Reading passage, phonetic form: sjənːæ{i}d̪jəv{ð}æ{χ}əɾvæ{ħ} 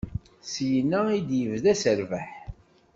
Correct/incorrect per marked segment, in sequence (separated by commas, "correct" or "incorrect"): correct, correct, incorrect, correct